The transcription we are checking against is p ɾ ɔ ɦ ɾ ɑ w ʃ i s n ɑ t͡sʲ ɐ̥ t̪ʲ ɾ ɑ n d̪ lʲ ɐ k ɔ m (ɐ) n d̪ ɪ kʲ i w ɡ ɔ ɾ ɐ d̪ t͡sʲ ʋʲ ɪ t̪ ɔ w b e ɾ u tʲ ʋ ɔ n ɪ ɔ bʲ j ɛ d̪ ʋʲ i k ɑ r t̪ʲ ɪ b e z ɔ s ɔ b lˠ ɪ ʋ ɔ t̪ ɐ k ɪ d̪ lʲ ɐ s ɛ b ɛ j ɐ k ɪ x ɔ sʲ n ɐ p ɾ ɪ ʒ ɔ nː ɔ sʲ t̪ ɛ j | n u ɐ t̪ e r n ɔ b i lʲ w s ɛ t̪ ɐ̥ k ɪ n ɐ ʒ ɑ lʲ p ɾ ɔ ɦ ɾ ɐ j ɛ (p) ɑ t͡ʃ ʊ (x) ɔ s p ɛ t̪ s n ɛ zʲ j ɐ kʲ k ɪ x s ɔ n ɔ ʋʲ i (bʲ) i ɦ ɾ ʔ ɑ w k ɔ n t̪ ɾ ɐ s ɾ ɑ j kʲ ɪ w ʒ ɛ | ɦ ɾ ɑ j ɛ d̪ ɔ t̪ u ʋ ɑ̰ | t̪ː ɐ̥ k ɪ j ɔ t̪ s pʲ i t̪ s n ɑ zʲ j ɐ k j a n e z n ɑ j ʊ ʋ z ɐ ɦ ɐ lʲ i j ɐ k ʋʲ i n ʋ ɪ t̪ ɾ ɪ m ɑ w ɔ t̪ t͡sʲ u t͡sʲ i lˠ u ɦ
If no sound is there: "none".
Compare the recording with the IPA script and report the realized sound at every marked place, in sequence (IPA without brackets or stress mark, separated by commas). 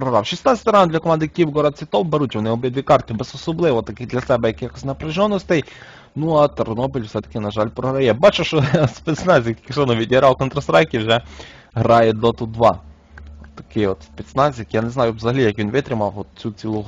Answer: ɑ, b, ʃ, dʲ